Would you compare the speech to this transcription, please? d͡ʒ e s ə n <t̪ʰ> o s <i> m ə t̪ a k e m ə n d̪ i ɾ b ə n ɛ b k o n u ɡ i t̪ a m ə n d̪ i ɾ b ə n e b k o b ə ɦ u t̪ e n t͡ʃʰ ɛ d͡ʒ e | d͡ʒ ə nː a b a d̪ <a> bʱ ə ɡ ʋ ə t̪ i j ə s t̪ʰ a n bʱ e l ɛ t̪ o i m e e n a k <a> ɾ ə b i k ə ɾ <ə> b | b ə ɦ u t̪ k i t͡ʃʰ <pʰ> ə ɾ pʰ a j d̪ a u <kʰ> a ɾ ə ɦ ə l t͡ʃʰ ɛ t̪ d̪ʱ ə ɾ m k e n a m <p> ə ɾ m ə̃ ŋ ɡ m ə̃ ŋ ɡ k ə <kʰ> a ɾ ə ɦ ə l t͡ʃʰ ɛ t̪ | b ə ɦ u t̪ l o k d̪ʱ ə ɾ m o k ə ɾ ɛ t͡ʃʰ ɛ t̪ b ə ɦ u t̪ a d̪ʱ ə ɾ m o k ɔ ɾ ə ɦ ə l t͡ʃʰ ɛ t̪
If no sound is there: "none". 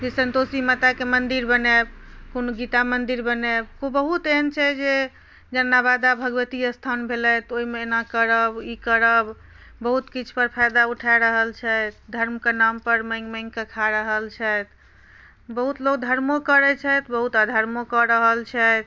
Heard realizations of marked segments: t̪, i, a, ə, ə, p, ʈʰ, p, kʰ

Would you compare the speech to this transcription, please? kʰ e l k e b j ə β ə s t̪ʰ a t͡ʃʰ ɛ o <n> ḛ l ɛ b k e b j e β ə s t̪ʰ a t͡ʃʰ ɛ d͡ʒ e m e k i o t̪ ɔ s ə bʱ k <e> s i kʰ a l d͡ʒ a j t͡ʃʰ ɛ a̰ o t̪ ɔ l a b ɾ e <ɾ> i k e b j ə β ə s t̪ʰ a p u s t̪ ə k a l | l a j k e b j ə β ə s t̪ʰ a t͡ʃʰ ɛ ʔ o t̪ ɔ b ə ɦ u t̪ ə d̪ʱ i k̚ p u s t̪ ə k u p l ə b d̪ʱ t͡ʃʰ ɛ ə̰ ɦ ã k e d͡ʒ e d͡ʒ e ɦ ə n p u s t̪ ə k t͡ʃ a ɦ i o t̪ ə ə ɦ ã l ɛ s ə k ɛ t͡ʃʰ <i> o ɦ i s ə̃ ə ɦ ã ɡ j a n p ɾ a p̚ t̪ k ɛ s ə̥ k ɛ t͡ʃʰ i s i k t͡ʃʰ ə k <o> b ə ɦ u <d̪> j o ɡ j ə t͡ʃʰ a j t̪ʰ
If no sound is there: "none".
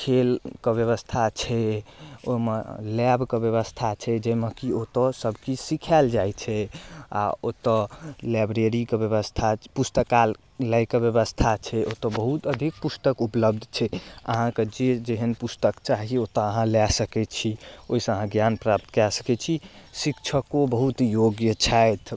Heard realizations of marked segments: m, i, ɾ, i, o, t̪

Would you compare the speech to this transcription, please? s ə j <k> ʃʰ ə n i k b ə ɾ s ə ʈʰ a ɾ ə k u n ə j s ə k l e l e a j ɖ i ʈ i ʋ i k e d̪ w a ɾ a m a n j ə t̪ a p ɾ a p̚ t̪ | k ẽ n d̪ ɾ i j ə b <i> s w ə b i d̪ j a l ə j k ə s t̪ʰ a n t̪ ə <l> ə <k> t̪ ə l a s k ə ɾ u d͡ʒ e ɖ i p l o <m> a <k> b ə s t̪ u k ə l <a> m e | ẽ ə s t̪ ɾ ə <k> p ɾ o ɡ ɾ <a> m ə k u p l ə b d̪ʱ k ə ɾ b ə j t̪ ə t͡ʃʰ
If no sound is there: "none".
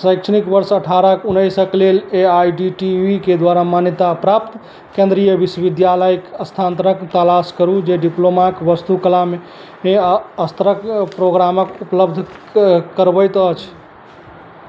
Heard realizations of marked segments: k, i, ɾ, k, m, k, a, k, a

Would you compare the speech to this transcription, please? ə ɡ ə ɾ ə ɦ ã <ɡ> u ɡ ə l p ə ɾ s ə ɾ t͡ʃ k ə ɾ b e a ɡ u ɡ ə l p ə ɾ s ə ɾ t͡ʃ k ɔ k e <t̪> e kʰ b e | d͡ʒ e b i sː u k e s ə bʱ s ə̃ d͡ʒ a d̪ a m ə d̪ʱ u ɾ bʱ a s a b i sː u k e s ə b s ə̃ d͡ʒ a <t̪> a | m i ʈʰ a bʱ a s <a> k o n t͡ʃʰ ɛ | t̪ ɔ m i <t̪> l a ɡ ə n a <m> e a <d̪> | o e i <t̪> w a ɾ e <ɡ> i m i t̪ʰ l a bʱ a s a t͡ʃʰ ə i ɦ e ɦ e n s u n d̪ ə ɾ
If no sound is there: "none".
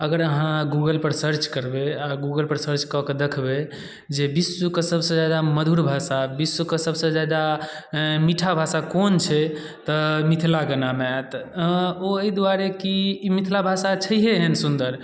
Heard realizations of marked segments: ɡ, d̪, d̪, a, t̪ʰ, m, t̪, d̪, k

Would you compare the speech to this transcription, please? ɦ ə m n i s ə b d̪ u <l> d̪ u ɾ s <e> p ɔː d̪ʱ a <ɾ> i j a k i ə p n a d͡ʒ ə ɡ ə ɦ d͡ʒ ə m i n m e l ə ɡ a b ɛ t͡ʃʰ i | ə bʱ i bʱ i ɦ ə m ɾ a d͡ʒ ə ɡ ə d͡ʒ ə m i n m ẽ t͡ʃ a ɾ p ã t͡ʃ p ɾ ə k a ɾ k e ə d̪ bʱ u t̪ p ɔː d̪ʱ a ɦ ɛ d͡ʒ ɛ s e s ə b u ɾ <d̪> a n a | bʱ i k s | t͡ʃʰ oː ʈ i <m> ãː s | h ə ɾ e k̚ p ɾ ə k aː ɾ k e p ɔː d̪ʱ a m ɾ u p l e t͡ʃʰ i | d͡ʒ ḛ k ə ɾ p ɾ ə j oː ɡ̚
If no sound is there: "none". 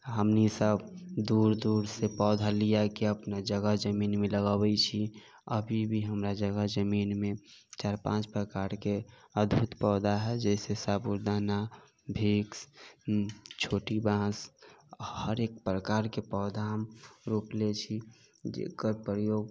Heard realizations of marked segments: ɾ, e, l, d̪, b

